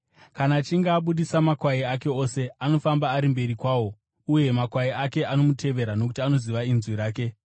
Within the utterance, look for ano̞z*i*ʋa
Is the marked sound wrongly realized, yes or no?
no